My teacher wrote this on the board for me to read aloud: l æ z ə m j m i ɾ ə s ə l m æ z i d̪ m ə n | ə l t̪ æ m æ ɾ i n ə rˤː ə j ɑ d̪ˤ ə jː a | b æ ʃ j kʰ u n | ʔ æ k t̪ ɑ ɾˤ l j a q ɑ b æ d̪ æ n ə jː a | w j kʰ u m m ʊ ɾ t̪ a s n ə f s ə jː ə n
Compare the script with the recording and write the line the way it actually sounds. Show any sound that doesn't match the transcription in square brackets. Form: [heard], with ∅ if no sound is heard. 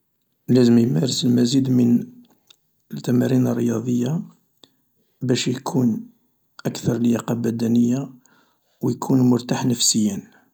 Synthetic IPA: l æ z ə m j m [æ] ɾ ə s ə l m æ z i d̪ m ə n | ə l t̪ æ m æ ɾ i n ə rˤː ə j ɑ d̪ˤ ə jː a | b æ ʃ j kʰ u n | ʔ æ k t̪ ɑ ɾˤ l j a q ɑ b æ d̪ æ n ə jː a | w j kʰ u [n] m ʊ ɾ t̪ a [ħ] n ə f s ə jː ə n